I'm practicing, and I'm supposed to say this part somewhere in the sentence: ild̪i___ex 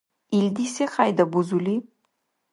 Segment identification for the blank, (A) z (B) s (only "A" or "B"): B